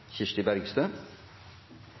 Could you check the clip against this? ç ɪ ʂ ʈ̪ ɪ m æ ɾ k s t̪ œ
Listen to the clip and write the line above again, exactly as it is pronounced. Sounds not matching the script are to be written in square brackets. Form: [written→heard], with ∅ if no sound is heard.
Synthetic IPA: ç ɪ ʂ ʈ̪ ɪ [m→b] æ ɾ [k→ɡ] s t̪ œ

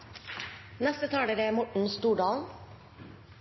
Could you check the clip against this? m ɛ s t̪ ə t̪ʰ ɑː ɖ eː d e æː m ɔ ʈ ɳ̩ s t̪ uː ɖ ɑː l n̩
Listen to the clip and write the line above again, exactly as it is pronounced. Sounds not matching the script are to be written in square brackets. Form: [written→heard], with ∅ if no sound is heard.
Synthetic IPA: [m→n] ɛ s t̪ ə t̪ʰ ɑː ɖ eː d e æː m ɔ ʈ ɳ̩ s t̪ uː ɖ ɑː l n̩

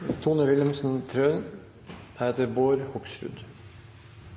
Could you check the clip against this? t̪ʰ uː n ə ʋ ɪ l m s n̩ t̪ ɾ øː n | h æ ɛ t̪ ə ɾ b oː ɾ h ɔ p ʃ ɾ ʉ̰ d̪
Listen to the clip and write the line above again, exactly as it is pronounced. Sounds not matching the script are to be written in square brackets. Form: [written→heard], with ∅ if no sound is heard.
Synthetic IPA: t̪ʰ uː n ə ʋ ɪ l m s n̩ [t̪→t̪ʰ] ɾ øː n | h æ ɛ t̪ ə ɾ b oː ɾ h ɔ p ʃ ɾ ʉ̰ d̪

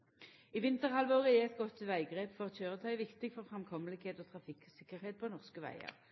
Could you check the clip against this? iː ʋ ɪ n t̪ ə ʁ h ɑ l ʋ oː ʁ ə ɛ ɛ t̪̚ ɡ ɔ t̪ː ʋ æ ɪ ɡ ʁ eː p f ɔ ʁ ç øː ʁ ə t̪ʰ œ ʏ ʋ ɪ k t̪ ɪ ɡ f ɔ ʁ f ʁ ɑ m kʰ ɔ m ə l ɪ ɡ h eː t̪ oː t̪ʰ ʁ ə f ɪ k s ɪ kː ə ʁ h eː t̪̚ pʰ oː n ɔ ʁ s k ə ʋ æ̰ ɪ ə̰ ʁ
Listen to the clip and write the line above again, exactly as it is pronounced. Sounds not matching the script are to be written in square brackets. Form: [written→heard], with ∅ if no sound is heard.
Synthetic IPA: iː ʋ ɪ n t̪ ə ʁ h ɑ l ʋ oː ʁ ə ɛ ɛ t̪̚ ɡ ɔ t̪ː ʋ æ ɪ ɡ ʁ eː p f ɔ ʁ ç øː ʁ ə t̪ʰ œ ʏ ʋ ɪ k t̪ ɪ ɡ f ɔ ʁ f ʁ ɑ m kʰ ɔ m ə l ɪ ɡ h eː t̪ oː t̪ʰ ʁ [ə→ɑ] f ɪ k s ɪ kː ə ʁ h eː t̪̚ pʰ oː n ɔ ʁ s k ə ʋ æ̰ ɪ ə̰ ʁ

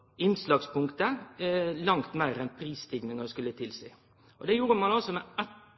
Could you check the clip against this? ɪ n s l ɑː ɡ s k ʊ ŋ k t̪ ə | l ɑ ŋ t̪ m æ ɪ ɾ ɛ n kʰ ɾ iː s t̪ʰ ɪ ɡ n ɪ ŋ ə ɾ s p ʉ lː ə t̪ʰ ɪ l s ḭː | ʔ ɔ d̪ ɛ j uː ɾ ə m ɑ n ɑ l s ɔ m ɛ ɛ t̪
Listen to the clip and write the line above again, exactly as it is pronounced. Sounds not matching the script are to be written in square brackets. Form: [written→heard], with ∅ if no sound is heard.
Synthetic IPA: ɪ n s l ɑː ɡ s [k→p] ʊ ŋ k t̪ ə | l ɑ ŋ t̪ m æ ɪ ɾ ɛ n [kʰ→pʰ] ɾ iː s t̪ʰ ɪ ɡ n ɪ ŋ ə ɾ s [p→k] ʉ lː ə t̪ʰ ɪ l s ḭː | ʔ ɔ d̪ ɛ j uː ɾ ə m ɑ n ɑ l s ɔ m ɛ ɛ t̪

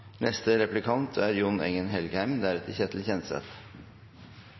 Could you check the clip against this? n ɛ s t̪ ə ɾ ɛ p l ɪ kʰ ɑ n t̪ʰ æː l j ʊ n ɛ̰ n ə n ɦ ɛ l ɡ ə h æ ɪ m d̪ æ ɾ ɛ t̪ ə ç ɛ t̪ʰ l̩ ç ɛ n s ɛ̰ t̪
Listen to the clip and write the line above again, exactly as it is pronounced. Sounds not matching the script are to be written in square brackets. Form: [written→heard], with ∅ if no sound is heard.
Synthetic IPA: n ɛ s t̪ ə ɾ ɛ p l ɪ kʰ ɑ n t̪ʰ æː [l→ɾ] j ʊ n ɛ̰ [n→ŋ] ə n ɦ ɛ l ɡ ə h æ ɪ m d̪ æ ɾ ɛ t̪ ə ç ɛ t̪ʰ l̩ ç ɛ n s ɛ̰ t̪

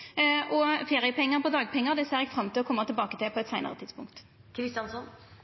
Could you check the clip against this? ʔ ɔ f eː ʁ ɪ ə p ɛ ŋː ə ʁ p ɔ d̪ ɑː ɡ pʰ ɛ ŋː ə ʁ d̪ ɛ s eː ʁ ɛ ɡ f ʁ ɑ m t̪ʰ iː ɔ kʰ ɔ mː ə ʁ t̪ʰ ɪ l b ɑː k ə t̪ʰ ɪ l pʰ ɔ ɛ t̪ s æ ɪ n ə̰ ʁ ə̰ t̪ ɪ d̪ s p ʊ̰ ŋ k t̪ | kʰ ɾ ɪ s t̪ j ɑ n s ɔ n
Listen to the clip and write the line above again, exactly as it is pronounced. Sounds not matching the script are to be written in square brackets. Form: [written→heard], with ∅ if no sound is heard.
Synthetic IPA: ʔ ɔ f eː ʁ ɪ ə p ɛ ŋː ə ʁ p ɔ d̪ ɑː ɡ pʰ ɛ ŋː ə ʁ d̪ ɛ s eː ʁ ɛ ɡ f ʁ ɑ m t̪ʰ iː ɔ kʰ ɔ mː ə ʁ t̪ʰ ɪ l b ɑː k ə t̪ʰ ɪ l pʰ ɔ ɛ t̪ s æ ɪ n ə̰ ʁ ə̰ t̪ ɪ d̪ s p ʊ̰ ŋ k t̪ | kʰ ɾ ɪ s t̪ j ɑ n s ɔ n

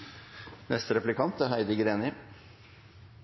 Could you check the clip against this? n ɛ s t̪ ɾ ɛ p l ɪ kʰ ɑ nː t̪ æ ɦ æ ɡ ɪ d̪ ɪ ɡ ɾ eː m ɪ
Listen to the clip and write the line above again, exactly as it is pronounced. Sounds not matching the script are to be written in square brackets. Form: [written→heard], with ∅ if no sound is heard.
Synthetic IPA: n ɛ s t̪ ɾ ɛ p l ɪ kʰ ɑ [nː→n] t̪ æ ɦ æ [ɡ→∅] ɪ d̪ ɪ ɡ ɾ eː [m→n] ɪ

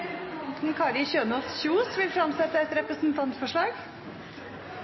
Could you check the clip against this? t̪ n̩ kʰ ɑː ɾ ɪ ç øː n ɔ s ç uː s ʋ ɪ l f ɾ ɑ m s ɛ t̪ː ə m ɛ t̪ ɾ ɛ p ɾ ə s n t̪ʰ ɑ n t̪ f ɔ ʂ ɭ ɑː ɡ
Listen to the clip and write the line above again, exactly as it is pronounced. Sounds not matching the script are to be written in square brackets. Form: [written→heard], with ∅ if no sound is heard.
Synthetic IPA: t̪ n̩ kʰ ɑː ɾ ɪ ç øː n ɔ s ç uː s ʋ ɪ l f ɾ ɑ m s ɛ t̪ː ə [m→∅] ɛ t̪ ɾ ɛ p ɾ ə s n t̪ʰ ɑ n t̪ f ɔ ʂ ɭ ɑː ɡ

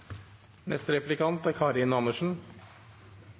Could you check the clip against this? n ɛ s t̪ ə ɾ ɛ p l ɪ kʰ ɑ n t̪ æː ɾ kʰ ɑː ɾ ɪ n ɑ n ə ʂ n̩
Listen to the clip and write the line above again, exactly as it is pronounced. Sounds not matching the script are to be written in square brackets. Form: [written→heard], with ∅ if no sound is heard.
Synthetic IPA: n ɛ s t̪ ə ɾ ɛ p l ɪ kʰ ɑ n t̪ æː ɾ kʰ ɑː ɾ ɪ n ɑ n ə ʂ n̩

